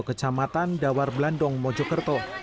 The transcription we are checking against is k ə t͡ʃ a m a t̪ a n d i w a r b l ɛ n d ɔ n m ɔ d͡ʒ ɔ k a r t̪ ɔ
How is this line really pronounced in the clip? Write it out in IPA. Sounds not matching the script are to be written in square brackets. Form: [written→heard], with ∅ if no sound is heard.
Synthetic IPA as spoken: k ə t͡ʃ a m a t̪ a n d [i→a] w a r b l [ɛ→a] n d ɔ [n→ŋ] m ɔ d͡ʒ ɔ k [a→ə] r t̪ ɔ